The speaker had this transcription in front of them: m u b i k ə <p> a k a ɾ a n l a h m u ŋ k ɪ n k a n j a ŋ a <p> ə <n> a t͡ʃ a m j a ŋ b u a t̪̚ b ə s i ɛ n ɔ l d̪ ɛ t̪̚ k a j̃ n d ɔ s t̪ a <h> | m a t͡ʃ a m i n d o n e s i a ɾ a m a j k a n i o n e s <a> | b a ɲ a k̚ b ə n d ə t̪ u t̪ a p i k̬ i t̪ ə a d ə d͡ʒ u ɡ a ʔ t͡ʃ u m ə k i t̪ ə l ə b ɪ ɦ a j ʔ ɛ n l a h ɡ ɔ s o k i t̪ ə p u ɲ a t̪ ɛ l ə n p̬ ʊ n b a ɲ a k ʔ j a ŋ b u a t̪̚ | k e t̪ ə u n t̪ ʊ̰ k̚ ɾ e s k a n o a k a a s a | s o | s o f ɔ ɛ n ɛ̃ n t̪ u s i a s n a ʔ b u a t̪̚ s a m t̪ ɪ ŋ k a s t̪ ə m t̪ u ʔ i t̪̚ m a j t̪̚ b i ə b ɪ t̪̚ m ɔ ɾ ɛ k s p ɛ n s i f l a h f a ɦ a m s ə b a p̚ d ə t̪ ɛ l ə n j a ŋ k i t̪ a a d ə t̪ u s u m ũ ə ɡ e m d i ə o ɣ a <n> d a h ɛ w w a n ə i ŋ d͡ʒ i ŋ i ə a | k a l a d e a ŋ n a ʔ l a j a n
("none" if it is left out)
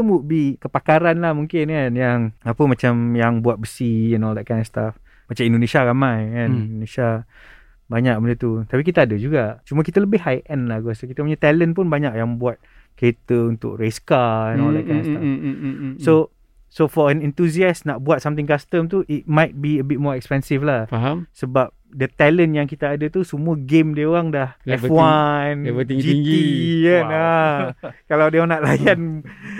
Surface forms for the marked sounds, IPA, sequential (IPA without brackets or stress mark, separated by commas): p, p, m, f, a, ŋ